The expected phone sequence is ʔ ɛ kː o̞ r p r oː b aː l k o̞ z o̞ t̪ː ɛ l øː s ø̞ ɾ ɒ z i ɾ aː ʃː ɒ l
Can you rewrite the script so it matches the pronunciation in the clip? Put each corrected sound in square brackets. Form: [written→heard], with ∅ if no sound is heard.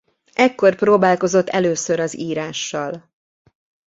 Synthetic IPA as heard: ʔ ɛ kː o̞ r p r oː b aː l k o̞ z o̞ t̪ː ɛ l øː s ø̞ ɾ ɒ z [i→iː] ɾ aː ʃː ɒ l

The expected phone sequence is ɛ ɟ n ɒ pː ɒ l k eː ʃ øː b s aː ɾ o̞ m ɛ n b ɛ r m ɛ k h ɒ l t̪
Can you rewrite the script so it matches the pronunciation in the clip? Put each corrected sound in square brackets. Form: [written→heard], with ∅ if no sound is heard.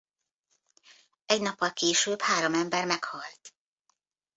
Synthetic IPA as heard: ɛ ɟ n ɒ pː ɒ l k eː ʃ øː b [s→h] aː ɾ o̞ m ɛ [n→m] b ɛ r m ɛ k h ɒ l t̪

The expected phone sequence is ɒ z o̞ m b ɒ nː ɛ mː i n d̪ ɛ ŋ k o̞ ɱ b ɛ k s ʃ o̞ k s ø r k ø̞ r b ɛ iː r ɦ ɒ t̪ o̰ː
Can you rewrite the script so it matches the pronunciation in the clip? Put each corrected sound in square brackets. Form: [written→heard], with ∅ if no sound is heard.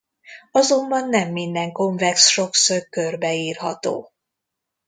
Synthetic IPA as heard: ɒ z o̞ m b ɒ nː ɛ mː i n d̪ ɛ ŋ k o̞ ɱ [b→v] ɛ k s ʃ o̞ k s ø r k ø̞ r b ɛ iː r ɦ ɒ t̪ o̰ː

